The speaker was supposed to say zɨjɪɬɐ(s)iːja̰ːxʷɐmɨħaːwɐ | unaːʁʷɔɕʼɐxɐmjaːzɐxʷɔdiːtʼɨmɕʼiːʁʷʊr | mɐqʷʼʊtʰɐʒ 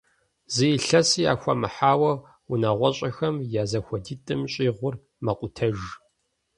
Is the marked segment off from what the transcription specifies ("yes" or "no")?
no